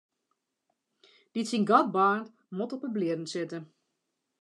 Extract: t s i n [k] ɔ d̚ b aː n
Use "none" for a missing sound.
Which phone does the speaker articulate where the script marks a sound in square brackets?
ɡ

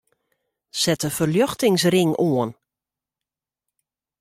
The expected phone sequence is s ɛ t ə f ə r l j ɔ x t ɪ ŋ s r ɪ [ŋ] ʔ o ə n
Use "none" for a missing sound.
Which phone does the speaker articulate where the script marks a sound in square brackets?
ŋ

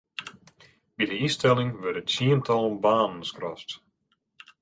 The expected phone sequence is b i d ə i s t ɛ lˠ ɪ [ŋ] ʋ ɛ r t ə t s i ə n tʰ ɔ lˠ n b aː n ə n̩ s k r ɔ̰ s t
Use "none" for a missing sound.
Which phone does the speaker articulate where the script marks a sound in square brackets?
ŋ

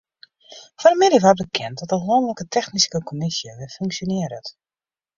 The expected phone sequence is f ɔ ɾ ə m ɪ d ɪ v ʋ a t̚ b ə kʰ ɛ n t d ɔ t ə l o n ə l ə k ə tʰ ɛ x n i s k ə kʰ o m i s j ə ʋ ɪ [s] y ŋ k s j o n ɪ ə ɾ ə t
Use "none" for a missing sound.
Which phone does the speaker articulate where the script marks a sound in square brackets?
f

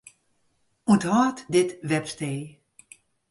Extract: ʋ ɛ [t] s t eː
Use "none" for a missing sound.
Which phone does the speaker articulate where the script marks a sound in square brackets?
p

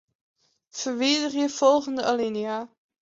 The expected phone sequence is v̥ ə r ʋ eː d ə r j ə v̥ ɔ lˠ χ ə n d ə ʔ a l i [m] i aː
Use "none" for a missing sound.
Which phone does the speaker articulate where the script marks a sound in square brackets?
n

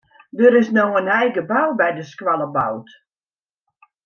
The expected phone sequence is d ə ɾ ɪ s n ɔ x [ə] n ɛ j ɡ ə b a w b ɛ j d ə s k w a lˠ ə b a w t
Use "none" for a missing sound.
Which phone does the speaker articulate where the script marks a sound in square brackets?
ə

